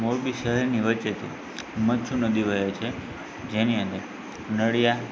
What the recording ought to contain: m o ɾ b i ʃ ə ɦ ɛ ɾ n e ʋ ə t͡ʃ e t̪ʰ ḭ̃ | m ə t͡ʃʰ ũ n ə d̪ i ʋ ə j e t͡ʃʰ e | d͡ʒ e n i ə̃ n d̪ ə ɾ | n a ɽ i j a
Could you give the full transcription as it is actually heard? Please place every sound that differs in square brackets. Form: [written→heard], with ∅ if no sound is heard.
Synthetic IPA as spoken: m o ɾ b i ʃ ə ɦ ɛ ɾ n [e→i] ʋ ə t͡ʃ e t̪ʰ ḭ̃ | m ə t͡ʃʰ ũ n ə d̪ i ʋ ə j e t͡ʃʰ e | d͡ʒ e n i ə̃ n d̪ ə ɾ | n [a→ə] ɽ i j a